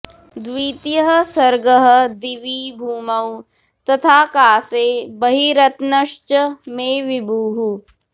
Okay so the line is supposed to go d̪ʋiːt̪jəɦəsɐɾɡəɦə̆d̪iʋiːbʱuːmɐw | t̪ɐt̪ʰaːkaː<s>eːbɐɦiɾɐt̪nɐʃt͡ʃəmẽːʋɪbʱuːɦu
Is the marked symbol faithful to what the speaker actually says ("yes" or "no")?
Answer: yes